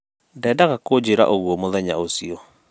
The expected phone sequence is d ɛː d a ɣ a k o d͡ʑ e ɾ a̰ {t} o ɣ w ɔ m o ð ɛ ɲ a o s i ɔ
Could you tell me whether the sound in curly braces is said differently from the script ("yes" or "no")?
yes